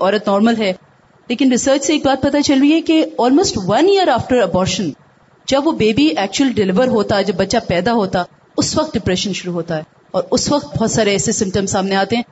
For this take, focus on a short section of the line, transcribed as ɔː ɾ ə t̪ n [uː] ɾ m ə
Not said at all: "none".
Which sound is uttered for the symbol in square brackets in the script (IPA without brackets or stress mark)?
ɔː